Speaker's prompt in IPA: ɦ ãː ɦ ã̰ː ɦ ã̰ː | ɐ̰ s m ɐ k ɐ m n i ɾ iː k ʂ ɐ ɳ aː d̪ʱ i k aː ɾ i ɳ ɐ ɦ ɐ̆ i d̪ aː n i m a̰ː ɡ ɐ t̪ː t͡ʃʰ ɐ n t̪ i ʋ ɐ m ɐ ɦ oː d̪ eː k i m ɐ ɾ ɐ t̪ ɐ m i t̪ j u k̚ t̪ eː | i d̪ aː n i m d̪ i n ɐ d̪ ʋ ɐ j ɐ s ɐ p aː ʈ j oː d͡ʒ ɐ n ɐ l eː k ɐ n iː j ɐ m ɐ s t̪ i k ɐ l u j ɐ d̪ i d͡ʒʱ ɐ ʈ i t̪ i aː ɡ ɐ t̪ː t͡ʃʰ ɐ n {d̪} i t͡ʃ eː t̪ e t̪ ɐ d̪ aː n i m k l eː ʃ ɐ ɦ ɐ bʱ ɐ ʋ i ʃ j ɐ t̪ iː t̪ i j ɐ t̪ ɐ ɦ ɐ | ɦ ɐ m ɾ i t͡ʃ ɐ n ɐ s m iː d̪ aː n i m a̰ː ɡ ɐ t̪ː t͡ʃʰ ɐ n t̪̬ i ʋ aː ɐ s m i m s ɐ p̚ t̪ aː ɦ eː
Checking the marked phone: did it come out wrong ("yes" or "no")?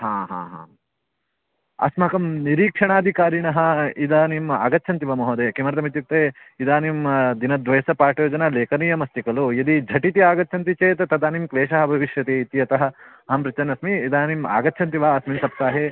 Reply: yes